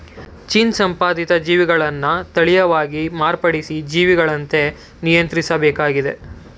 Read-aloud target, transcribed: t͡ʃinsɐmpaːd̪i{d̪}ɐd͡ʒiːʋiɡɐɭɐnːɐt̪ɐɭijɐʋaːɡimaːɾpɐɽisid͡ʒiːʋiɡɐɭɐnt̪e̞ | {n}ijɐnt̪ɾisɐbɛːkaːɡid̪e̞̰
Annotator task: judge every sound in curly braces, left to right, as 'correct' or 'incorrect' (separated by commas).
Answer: incorrect, correct